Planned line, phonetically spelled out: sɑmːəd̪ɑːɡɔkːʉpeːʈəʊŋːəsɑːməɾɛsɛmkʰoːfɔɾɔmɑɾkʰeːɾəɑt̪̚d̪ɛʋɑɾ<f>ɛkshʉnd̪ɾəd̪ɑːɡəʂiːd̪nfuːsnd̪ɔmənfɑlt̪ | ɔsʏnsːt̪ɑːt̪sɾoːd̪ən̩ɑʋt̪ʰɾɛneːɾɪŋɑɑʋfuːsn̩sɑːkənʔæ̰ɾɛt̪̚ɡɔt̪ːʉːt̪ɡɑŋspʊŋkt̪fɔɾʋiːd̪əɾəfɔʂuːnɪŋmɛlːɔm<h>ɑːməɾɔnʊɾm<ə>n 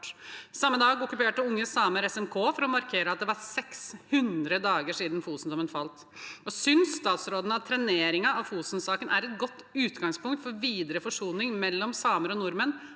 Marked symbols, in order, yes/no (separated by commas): no, no, yes